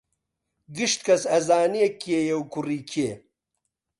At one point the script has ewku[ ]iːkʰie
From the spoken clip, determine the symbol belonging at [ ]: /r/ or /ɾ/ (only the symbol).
r